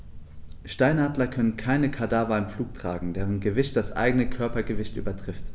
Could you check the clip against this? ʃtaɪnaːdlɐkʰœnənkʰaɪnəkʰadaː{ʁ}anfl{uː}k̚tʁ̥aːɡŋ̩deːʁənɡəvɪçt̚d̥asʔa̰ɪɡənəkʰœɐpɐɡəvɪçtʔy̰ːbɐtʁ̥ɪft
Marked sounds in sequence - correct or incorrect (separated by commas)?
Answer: incorrect, correct